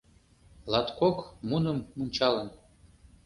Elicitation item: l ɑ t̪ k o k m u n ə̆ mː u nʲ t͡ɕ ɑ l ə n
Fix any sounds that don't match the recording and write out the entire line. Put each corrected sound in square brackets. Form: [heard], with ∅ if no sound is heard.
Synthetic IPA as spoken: l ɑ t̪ k o k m u n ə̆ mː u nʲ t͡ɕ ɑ l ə n